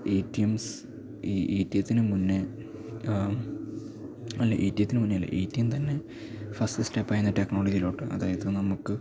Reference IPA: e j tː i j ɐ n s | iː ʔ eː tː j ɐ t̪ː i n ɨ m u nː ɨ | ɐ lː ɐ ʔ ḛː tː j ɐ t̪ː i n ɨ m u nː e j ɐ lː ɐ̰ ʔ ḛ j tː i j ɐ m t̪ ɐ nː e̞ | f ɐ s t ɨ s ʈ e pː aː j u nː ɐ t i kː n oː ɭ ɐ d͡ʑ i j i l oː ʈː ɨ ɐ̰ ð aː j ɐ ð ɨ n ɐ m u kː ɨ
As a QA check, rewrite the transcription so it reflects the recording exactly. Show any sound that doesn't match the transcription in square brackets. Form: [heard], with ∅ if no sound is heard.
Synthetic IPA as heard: e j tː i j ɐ [m] s | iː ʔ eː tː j ɐ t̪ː i n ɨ m u nː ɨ | ɐ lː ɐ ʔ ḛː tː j ɐ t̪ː i n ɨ m u nː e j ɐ lː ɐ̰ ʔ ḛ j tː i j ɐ m t̪ ɐ nː e̞ | f ɐ s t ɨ s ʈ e pː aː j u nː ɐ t [e] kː n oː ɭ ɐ d͡ʑ i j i l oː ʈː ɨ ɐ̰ ð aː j ɐ ð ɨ n ɐ m u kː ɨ